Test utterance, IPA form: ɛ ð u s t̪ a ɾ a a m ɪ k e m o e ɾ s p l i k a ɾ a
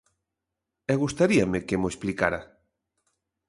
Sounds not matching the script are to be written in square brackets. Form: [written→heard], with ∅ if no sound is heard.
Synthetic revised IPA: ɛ [ð→ɣ] u s t̪ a ɾ [a→i] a m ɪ k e m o e [ɾ→∅] s p l i k a ɾ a